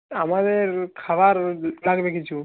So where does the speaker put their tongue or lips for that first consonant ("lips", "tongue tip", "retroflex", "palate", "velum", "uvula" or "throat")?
lips